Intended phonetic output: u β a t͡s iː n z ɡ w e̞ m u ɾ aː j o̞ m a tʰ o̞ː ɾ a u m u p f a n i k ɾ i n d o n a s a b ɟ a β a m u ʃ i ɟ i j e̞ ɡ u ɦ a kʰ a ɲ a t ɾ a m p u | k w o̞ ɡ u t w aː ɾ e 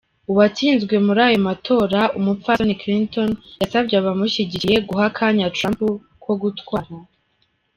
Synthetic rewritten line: u β a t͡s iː n z ɡ w e̞ m u ɾ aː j o̞ m a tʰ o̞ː ɾ a u m u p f a n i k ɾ i n t o n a s a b ɟ a β a m u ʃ i ɟ i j e̞ ɡ u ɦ a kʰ a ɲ a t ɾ a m p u | k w o̞ ɡ u t w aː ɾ a